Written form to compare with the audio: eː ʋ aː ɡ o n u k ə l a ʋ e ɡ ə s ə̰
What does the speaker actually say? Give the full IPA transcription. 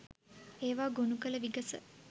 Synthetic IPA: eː ʋ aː ɡ o n u k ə l ə ʋ i ɡ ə s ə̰